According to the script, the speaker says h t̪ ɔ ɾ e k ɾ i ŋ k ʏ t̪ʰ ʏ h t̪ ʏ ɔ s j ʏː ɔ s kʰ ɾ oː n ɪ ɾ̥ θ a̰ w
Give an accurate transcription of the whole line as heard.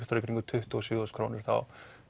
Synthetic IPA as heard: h t̪ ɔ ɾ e k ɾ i ŋ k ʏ t̪ʰ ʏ h t̪ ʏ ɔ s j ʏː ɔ s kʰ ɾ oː n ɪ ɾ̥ θ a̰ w

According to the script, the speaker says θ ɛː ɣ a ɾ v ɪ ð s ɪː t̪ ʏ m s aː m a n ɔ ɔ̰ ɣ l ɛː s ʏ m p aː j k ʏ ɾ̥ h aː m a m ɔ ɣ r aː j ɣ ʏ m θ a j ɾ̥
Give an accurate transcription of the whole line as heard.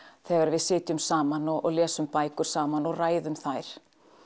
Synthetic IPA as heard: θ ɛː ɣ a ɾ v ɪ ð s ɪː t̪ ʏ m s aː m a n ɔ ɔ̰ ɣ l ɛː s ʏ m p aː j k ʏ ɾ̥ s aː m a n ɔ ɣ r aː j ð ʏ m θ a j ɾ̥

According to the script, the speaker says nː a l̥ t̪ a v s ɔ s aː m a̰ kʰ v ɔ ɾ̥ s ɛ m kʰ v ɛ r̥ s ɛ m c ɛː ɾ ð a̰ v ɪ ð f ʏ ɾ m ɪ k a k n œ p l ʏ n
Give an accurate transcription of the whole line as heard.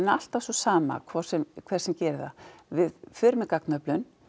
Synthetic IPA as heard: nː a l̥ t̪ a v s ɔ s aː m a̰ kʰ v ɔ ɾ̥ s ɛ m kʰ v ɛ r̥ s ɛ m c ɛː ɾ ð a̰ v ɪ ð f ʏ ɾ m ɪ k a k n œ p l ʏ n

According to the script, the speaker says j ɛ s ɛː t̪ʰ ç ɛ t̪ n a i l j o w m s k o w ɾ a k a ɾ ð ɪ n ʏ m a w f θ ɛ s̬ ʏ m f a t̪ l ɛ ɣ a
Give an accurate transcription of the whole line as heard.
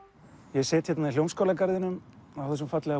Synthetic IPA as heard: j ɛ s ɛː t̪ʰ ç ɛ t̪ n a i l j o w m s k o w l a k a ɾ ð ɪ n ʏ m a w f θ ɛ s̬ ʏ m f a t̪ l ɛ ɣ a

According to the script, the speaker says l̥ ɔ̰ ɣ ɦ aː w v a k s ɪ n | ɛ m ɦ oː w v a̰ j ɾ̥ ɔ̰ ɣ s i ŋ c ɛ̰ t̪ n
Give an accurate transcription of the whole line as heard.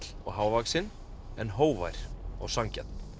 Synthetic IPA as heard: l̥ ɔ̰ ɣ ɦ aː w v a k s ɪ n | ɛ n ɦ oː w v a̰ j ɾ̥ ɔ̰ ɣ s a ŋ c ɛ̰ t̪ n

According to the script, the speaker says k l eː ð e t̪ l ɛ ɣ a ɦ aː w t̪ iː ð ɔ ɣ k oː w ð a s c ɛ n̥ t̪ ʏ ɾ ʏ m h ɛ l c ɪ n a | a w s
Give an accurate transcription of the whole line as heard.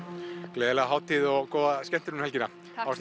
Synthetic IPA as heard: k l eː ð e l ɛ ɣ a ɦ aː w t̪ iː ð ɔ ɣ k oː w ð a s c ɛ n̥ t̪ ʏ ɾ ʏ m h ɛ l c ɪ n a | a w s

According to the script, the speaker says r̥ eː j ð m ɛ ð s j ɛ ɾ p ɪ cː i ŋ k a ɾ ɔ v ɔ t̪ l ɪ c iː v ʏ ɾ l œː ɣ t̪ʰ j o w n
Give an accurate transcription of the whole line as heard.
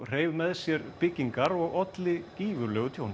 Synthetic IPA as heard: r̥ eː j v m ɛ ð s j ɛ ɾ p ɪ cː i ŋ k a ɾ ɔ ɣ ɔ t̪ l ɪ c iː v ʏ ɾ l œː ɣ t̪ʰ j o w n

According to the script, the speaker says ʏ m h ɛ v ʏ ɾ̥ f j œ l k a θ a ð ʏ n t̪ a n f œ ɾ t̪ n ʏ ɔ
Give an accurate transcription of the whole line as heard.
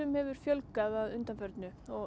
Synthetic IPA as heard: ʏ m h ɛ v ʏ ɾ̥ f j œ l k a ð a ð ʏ n t̪ a n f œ ɾ t̪ n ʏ ɔ

